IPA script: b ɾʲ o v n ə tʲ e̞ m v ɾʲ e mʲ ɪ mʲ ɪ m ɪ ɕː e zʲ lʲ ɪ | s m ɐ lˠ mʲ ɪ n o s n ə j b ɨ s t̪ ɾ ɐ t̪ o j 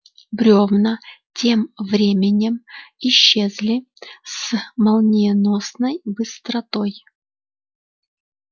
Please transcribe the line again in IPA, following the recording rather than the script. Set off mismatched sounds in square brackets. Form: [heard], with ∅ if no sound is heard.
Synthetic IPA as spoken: b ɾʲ o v n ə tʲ e̞ m v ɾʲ e mʲ ɪ [nʲ] ɪ m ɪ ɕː e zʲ lʲ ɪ | s m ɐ lˠ [nʲ] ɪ n o s n ə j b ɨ s t̪ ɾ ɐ t̪ o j